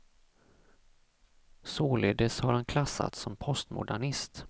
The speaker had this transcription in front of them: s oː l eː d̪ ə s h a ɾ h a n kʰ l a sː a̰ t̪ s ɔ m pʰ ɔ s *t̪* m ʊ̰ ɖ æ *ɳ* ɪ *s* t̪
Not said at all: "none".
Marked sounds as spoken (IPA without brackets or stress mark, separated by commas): t̪, ɳ, s